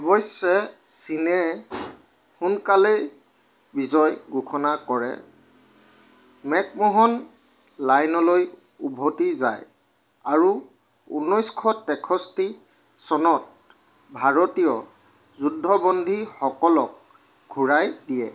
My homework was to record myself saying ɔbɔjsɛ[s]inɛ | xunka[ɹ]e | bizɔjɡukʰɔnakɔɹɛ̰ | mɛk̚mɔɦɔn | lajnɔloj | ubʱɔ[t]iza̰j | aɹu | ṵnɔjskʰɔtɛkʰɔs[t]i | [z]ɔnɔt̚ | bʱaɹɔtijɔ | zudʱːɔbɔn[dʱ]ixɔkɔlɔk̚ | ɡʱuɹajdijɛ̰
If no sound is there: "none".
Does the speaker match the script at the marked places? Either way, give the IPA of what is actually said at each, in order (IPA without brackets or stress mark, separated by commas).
s, l, t, t, s, dʱ